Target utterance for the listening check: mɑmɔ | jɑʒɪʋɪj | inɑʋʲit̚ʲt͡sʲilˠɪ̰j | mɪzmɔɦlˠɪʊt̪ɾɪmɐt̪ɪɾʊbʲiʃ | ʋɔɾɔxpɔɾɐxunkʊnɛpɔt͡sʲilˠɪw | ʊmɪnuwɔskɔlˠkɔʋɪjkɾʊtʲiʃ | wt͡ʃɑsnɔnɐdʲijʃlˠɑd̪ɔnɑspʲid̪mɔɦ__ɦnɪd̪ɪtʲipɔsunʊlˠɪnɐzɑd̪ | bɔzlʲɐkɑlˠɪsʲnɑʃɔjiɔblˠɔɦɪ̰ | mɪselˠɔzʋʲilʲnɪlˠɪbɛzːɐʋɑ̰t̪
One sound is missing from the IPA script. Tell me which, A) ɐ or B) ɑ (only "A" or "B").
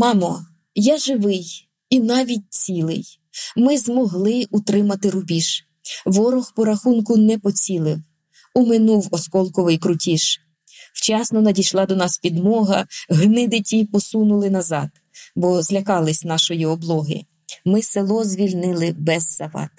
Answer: A